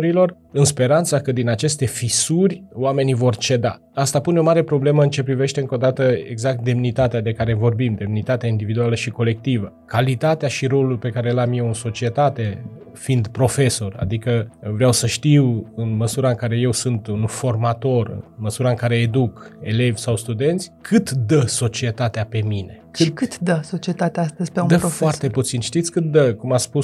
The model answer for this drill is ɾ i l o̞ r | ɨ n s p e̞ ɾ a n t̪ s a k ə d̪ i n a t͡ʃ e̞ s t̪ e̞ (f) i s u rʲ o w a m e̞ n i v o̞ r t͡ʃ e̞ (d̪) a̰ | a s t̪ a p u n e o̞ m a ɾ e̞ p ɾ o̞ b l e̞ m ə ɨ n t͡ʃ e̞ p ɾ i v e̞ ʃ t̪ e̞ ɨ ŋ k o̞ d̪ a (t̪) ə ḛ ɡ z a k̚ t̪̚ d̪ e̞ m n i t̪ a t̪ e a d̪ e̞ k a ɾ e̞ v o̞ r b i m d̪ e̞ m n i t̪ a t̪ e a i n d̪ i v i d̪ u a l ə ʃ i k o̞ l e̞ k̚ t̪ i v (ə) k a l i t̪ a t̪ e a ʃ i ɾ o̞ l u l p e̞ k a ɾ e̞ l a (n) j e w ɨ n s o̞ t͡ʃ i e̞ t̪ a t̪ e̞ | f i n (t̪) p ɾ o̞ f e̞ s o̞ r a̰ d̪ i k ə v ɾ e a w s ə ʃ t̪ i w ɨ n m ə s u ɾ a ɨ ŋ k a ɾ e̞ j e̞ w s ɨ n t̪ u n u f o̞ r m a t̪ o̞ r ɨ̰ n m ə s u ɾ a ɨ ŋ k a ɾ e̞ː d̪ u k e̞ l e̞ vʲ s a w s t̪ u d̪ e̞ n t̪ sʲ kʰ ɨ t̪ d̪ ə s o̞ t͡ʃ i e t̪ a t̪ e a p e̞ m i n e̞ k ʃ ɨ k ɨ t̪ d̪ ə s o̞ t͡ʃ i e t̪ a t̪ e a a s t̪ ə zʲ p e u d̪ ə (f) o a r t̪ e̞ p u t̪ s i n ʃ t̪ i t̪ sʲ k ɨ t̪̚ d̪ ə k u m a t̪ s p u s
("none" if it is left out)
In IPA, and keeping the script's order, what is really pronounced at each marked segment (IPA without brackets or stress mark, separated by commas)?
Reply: f, d̪, t̪, ə, m, d̪, f